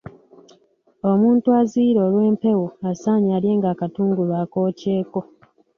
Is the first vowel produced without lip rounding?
no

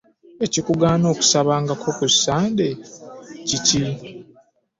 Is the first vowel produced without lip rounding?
yes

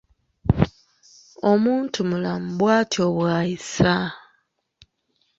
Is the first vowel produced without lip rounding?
no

